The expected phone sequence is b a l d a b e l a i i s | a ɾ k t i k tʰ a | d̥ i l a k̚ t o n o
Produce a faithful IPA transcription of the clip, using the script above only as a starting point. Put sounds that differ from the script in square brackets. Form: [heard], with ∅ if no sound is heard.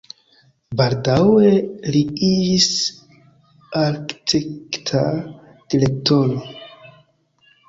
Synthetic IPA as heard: b a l d a [w] e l [i] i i s | a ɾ k t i k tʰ a | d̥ i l [e] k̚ t o n o